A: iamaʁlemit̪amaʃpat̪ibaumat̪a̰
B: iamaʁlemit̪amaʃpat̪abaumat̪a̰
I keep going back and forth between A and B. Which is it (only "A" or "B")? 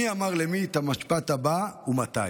B